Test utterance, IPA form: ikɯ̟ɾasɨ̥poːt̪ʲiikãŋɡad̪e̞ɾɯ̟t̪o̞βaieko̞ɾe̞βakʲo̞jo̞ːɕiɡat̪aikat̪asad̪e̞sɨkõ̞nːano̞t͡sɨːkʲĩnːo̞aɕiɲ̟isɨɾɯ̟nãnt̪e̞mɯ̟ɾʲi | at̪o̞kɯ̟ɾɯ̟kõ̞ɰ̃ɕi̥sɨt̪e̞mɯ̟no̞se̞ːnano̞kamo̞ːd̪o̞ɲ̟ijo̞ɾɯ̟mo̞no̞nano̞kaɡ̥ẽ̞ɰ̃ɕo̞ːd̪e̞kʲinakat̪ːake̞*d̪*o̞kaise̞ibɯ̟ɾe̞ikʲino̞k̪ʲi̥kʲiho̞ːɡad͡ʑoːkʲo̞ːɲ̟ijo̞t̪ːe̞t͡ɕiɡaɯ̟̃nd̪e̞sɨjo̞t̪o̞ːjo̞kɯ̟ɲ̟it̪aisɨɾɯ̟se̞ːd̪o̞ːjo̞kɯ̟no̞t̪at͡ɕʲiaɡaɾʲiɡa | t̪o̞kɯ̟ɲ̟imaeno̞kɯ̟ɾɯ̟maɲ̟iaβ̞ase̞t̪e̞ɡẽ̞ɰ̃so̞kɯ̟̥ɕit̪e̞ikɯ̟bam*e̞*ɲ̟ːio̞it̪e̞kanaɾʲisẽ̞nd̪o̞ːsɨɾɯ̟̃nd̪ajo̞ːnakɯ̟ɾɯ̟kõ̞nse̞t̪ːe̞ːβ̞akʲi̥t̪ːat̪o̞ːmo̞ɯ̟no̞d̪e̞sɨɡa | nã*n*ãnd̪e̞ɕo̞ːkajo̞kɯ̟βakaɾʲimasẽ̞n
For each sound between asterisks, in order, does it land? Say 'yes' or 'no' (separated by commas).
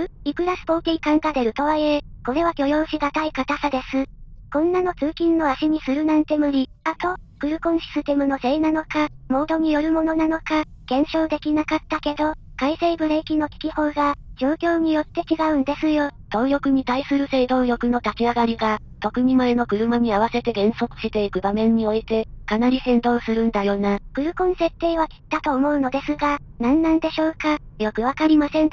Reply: yes, no, no